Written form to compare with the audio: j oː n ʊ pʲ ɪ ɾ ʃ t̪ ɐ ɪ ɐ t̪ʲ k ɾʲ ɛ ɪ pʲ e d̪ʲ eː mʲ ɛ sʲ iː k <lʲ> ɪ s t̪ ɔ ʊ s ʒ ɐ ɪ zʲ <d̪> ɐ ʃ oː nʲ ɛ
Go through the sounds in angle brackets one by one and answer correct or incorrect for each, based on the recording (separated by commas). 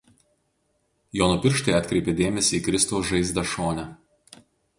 incorrect, correct